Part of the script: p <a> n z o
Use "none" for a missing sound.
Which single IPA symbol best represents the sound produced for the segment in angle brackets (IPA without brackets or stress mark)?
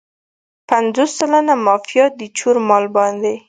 a